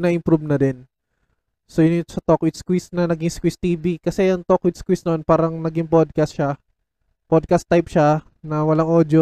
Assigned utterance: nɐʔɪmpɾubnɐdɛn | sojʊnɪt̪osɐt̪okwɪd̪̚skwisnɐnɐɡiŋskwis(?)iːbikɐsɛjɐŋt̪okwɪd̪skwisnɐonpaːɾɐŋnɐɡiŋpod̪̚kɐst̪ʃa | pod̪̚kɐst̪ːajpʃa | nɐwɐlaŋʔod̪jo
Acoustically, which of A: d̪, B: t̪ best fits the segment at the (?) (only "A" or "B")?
B